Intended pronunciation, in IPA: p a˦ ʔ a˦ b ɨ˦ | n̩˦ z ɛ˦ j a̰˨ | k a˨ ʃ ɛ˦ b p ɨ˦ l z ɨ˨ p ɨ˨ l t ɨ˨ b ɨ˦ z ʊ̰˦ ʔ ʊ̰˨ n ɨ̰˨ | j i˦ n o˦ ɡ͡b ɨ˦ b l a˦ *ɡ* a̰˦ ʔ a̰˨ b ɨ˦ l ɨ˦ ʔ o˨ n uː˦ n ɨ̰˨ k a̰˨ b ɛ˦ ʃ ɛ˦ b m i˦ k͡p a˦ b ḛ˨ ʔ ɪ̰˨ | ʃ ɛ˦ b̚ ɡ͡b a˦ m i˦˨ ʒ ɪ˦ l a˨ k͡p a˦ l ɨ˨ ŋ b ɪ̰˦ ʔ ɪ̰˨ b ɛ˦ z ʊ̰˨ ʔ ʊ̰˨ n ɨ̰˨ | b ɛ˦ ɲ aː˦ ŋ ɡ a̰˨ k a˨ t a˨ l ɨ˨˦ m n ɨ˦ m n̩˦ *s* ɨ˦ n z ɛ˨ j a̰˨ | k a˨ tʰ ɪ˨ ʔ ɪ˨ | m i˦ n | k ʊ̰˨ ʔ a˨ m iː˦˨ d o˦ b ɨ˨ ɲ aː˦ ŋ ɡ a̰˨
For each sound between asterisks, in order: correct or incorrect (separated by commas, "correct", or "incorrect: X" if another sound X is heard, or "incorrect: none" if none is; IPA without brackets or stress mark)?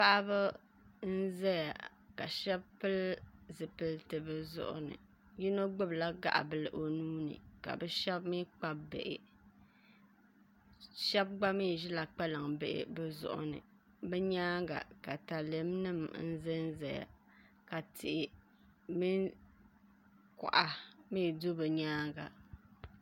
correct, incorrect: z